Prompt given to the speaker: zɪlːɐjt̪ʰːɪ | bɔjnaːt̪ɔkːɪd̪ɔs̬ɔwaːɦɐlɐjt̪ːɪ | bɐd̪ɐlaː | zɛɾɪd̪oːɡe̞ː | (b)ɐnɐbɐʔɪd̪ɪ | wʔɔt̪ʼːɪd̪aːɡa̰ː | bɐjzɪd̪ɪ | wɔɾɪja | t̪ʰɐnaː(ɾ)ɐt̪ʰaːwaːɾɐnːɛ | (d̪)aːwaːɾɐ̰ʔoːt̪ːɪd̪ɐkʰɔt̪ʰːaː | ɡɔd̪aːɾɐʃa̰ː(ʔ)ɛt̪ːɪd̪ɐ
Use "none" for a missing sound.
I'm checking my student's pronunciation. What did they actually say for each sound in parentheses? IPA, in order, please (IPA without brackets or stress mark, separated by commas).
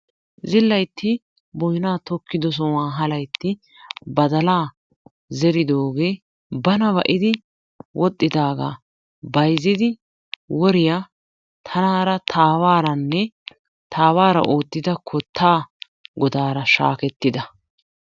b, ɾ, t̪, k